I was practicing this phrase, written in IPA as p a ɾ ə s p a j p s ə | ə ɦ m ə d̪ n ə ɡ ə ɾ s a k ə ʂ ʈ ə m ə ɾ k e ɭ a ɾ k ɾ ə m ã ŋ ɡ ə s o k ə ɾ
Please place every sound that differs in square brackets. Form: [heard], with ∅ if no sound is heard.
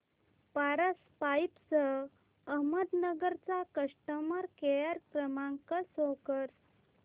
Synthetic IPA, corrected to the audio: p a ɾ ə s p a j p s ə | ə ɦ m ə d̪ n ə ɡ ə ɾ [t͡s] a k ə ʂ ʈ ə m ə ɾ k e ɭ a ɾ k ɾ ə m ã ŋ [k] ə s o k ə ɾ